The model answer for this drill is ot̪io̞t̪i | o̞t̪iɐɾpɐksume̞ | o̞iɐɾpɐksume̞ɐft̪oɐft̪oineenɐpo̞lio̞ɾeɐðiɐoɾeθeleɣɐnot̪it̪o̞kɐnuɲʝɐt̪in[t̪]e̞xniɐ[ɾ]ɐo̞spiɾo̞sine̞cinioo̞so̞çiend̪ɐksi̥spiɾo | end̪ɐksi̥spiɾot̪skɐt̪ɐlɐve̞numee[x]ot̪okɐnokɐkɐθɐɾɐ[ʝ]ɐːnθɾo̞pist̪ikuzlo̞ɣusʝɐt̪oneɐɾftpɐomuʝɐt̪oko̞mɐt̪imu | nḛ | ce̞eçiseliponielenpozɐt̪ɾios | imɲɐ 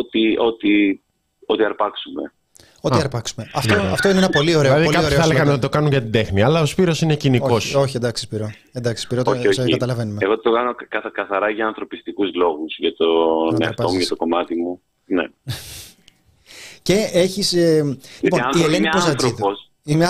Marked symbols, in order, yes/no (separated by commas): no, no, no, yes